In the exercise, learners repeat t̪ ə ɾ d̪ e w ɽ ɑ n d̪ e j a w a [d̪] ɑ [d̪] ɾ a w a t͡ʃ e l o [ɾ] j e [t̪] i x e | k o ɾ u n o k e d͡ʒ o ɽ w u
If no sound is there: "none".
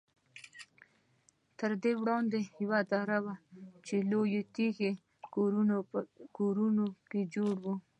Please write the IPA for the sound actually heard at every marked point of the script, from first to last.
d̪, none, none, t̪

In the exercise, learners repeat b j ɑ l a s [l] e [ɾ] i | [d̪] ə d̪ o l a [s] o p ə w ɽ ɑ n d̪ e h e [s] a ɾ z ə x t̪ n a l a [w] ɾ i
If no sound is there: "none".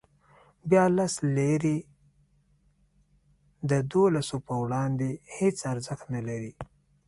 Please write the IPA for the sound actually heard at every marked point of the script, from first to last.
l, ɾ, d̪, s, t͡s, none

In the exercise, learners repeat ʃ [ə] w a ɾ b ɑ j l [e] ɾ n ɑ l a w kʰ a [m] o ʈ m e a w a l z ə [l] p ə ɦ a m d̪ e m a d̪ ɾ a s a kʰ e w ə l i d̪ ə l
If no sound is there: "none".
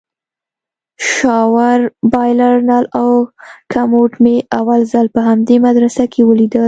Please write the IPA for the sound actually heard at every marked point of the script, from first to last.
ɑ, a, m, l

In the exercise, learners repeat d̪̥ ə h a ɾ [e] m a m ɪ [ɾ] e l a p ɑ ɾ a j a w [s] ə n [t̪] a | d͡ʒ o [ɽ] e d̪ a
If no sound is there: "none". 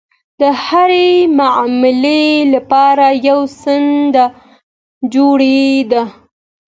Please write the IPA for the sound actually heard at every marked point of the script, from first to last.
e, l, s, d̪, ɽ

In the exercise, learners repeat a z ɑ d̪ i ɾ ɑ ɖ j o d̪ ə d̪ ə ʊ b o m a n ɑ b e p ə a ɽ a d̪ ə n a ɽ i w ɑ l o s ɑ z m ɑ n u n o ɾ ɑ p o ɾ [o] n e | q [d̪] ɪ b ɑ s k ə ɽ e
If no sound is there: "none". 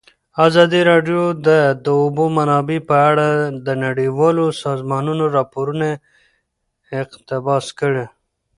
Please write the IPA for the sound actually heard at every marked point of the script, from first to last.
u, t̪

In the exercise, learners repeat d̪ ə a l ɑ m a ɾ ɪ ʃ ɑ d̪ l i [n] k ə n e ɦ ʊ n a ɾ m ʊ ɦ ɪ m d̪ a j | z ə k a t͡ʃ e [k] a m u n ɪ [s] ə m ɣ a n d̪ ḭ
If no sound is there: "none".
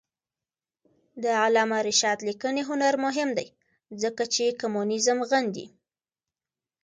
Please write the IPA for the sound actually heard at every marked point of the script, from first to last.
none, k, z

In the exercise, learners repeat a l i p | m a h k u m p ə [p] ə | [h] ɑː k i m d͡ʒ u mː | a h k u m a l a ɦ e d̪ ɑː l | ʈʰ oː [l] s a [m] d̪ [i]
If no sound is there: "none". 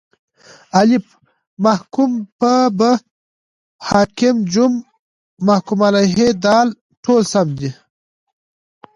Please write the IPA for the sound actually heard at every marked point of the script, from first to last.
b, h, l, m, i

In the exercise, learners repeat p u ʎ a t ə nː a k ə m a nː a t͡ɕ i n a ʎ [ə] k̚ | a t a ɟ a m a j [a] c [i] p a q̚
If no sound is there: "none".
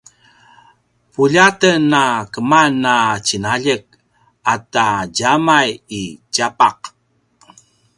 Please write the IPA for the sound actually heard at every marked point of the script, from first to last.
ə, i, a

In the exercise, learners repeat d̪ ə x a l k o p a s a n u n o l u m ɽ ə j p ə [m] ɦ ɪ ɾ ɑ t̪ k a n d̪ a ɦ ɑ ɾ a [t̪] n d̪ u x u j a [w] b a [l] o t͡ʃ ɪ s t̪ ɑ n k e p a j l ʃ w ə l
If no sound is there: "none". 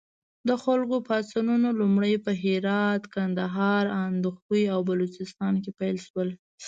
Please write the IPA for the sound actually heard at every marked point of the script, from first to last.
none, none, w, l

